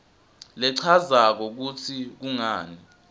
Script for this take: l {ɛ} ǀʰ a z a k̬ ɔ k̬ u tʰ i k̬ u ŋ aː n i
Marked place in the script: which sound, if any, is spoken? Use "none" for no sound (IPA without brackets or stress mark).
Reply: ɛ